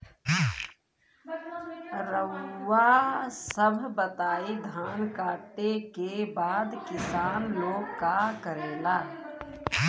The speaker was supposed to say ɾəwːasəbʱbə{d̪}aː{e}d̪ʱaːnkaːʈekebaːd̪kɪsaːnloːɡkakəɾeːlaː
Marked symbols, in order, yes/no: no, no

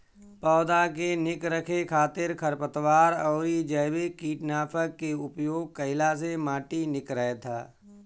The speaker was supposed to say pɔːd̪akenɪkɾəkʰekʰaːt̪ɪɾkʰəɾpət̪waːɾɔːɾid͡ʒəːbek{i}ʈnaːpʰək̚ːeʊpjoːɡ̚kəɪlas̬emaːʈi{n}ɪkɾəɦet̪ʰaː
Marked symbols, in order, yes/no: no, yes

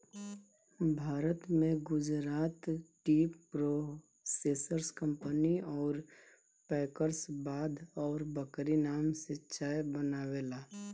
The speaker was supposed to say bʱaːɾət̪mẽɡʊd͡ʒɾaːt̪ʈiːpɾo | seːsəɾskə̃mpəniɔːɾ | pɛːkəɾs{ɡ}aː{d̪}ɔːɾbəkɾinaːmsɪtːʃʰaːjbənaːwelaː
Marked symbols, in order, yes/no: no, yes

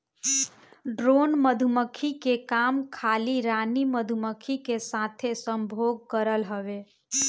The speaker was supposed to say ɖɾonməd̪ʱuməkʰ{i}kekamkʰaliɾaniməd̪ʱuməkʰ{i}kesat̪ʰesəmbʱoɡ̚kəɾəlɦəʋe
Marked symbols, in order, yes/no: yes, yes

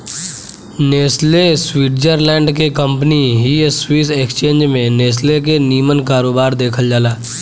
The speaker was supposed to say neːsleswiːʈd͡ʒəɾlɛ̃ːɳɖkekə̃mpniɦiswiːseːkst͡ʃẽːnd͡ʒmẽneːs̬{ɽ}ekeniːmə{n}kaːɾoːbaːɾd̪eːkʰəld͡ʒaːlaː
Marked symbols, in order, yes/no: no, yes

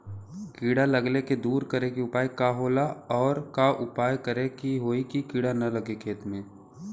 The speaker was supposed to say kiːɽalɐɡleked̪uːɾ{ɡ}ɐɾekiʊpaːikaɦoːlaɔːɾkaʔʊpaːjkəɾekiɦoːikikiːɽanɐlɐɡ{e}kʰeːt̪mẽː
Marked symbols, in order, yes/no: no, yes

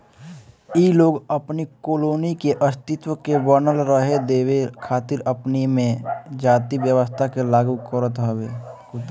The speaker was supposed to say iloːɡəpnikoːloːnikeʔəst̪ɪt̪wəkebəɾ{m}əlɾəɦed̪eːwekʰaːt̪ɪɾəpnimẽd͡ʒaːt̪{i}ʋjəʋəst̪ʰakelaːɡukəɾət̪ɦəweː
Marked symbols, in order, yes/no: no, yes

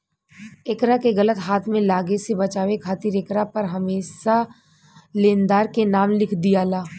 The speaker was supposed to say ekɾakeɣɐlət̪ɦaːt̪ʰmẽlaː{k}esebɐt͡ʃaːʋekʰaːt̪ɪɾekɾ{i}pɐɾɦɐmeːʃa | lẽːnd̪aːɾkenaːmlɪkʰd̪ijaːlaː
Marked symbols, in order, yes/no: no, no

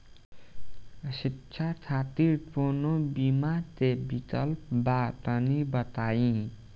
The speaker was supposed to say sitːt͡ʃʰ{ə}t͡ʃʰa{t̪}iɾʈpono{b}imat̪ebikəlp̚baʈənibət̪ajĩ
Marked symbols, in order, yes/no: no, yes, yes

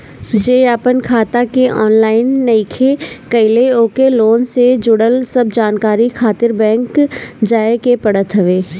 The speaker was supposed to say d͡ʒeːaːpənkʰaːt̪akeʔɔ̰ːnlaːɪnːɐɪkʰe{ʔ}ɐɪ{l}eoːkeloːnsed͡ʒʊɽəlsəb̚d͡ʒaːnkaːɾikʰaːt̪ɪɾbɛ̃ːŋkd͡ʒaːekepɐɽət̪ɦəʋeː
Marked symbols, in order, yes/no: no, yes

